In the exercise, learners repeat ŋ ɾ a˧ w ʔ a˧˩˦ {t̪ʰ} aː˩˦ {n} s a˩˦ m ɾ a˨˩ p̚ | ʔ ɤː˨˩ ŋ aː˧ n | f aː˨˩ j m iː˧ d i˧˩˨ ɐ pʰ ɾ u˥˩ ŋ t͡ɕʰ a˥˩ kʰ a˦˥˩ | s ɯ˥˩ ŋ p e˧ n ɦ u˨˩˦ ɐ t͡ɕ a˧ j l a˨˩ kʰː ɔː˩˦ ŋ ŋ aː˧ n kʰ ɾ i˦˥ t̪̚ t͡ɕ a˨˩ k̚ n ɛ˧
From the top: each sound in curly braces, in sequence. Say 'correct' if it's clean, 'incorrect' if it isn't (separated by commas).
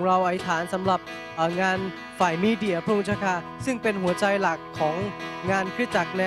correct, correct